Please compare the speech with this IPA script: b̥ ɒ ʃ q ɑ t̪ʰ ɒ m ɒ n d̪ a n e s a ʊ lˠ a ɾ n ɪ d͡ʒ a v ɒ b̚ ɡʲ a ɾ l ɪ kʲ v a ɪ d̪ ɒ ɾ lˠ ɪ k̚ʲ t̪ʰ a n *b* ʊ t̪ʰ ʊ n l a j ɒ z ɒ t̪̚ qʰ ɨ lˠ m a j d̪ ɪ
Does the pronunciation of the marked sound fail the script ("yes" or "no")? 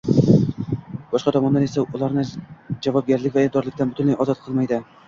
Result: no